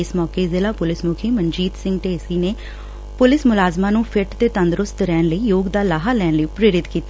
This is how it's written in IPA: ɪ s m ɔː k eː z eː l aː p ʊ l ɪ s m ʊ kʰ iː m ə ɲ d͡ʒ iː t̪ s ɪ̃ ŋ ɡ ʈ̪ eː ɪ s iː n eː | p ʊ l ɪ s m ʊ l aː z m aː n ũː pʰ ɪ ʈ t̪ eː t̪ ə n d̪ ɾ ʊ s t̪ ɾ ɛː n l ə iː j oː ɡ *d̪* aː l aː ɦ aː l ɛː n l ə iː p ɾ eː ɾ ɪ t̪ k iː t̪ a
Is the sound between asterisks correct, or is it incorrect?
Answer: correct